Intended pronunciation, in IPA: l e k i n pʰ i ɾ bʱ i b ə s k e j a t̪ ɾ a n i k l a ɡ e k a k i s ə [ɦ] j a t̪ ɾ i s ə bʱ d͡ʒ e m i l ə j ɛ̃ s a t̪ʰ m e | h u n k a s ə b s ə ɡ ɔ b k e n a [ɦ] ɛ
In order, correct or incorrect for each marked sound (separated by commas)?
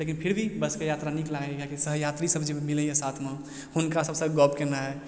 correct, correct